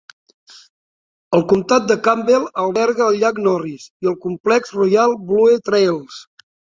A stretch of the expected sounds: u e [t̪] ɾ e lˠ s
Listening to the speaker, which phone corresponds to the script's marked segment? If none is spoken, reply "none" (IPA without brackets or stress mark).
t̪